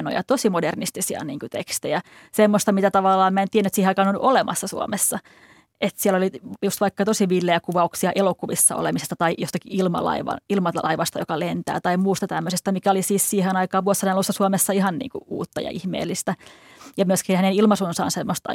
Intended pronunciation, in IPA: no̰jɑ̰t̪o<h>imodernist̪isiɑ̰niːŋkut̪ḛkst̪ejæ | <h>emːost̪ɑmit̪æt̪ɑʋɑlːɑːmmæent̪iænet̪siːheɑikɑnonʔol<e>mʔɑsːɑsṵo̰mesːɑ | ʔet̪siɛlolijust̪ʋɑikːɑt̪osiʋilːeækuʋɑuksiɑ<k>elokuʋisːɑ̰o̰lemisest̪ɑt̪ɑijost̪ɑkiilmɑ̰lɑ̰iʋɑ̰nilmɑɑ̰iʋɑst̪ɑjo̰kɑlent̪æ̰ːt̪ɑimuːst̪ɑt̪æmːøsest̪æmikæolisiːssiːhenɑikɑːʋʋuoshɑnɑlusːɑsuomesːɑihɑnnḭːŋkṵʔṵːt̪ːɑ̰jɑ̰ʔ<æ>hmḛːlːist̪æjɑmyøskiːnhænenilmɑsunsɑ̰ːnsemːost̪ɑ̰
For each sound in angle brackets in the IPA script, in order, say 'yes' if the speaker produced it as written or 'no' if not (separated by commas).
no, no, yes, no, no